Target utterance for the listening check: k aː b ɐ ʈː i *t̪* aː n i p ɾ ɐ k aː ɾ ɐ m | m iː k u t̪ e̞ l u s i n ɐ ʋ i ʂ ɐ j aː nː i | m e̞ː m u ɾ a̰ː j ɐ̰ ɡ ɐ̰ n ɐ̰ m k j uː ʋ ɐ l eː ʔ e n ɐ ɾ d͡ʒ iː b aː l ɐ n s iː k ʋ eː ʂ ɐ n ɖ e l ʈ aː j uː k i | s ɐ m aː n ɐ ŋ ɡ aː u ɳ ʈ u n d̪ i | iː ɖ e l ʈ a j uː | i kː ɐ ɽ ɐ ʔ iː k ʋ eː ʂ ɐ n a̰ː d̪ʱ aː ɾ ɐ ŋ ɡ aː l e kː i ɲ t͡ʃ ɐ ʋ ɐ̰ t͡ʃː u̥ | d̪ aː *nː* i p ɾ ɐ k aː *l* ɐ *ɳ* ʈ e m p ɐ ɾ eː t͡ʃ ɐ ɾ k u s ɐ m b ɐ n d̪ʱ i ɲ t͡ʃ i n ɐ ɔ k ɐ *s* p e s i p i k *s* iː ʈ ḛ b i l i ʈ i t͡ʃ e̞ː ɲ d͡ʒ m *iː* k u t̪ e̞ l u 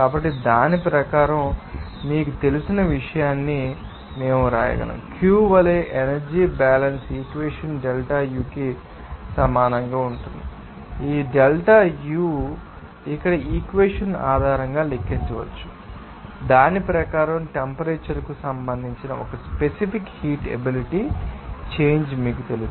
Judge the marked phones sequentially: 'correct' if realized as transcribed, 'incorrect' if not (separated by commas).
incorrect, incorrect, incorrect, incorrect, correct, incorrect, correct